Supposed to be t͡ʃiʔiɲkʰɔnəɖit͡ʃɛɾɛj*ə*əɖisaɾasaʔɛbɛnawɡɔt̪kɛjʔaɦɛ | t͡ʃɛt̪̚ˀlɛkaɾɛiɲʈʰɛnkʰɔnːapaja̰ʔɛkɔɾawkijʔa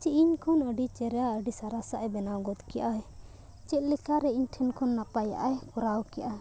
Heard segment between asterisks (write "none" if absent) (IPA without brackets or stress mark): a